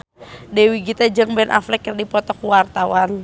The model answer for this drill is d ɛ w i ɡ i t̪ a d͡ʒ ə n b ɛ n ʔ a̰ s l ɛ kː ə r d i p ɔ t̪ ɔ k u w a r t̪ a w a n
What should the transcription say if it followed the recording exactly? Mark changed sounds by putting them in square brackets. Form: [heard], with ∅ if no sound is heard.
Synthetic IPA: d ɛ w i ɡ i t̪ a d͡ʒ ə [ŋ] b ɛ n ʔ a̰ [f] l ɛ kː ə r d i p ɔ t̪ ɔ k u w a r t̪ a w a n